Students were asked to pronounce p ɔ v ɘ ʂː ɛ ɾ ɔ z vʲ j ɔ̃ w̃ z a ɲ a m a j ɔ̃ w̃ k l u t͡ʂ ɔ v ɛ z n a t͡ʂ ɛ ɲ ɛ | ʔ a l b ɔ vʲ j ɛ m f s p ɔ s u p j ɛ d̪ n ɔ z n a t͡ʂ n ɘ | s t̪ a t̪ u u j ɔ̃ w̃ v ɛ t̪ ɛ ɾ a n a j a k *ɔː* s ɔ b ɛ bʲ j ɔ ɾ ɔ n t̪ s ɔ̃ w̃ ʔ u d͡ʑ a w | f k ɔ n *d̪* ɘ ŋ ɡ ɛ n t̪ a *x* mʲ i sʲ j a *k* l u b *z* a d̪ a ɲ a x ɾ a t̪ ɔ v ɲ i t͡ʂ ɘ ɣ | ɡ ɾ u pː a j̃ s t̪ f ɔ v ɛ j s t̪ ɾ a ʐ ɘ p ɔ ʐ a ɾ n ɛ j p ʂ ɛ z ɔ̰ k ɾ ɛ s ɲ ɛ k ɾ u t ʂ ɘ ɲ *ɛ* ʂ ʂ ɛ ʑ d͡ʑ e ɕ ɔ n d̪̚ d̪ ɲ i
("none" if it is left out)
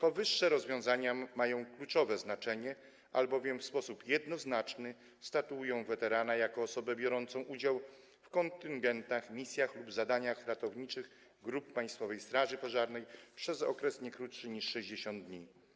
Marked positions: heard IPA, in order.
ɔː, t̪, x, x, z, i

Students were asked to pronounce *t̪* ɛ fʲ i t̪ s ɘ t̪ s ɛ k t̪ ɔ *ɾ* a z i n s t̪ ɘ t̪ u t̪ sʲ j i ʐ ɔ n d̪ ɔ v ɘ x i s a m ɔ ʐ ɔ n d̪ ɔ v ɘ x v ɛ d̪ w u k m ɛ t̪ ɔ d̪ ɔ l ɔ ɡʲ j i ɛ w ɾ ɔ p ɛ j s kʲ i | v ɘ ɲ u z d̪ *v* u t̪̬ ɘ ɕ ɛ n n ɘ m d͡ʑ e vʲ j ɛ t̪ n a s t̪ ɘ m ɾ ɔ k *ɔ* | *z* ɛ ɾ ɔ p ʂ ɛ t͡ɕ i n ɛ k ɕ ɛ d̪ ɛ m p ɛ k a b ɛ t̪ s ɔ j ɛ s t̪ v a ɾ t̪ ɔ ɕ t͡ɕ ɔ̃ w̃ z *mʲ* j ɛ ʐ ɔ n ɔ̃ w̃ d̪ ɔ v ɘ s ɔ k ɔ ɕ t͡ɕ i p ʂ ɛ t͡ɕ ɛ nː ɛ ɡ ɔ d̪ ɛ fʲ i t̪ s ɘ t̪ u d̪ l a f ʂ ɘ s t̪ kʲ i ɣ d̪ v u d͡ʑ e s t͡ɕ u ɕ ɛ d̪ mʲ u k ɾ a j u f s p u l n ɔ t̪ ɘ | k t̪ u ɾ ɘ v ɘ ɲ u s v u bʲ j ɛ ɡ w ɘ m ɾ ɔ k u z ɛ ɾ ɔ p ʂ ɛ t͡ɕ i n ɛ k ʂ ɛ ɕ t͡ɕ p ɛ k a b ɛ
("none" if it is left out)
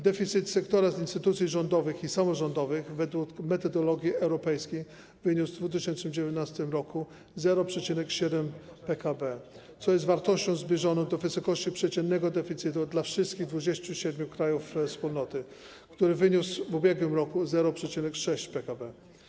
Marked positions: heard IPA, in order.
d̪, ɾ, v, u, z, bʲ

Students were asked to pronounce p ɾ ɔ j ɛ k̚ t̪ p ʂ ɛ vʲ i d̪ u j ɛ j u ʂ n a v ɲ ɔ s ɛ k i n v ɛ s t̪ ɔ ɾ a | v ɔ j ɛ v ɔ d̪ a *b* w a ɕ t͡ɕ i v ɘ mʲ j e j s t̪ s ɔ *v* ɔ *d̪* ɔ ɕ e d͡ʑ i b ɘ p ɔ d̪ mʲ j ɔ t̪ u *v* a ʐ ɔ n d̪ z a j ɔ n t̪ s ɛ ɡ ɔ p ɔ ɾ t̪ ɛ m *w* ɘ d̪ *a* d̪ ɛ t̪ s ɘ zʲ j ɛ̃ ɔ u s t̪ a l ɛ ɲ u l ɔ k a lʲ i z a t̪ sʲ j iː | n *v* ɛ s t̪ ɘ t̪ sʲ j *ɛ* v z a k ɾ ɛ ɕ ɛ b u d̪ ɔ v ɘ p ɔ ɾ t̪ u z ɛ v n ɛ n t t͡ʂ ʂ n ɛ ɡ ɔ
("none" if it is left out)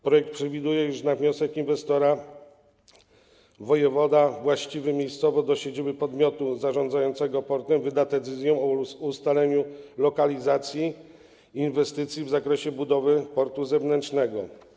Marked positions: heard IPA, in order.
v, v, d̪, z, v, a, v, i

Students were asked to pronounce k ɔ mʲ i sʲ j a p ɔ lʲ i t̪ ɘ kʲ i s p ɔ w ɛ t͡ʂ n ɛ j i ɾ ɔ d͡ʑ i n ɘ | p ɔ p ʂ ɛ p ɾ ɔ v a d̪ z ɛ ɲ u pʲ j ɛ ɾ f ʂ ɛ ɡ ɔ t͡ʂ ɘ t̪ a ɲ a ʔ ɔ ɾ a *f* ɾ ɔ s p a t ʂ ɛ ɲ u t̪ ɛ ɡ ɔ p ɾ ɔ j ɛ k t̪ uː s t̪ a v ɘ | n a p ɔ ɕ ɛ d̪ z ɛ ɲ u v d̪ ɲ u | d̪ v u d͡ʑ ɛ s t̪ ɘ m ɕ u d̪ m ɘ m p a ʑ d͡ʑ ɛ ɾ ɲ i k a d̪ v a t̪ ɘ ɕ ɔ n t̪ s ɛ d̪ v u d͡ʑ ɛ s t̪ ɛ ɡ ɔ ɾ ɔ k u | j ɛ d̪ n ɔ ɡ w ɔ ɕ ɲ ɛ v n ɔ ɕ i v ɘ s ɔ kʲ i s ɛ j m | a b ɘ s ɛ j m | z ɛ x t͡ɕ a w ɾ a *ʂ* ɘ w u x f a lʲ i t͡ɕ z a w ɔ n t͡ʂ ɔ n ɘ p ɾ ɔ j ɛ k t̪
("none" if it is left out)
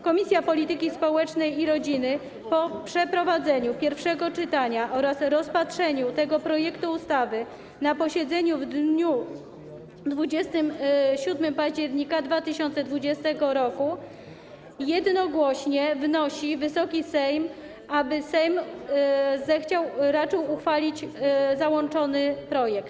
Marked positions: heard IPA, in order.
s, t͡ʂ

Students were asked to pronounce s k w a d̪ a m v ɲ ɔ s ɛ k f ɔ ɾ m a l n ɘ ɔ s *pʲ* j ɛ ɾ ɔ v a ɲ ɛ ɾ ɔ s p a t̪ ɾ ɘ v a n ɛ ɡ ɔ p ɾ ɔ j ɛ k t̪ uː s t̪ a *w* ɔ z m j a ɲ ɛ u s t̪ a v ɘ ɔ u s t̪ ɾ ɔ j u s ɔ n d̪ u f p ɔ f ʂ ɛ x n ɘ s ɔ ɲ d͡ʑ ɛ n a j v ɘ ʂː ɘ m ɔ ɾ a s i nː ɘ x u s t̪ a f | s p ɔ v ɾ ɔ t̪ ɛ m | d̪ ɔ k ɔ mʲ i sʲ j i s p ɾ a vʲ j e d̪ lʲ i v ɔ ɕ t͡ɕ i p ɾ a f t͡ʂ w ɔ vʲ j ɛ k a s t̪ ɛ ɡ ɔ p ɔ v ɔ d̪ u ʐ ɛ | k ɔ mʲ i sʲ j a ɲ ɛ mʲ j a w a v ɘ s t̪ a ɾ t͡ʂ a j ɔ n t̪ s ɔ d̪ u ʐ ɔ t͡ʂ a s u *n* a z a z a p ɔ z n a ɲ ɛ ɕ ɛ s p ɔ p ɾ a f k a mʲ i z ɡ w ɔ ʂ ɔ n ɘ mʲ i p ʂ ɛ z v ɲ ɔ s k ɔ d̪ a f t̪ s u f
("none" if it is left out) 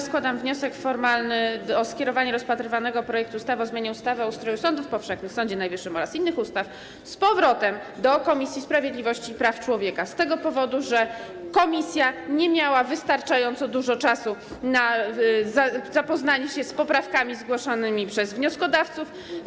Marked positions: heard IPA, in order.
kʲ, v, n

